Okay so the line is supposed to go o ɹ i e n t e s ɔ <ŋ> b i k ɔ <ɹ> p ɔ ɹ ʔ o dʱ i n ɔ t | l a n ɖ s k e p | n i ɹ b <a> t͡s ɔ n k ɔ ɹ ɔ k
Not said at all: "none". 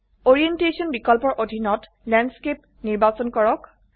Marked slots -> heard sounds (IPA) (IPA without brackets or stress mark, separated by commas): n, l, a